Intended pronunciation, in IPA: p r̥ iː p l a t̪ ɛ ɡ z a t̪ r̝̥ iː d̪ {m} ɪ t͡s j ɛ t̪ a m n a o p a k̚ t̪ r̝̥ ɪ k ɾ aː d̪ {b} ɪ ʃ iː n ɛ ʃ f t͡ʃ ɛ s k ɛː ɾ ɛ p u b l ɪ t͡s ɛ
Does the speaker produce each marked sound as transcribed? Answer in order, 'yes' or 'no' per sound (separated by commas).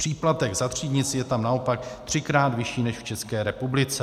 no, no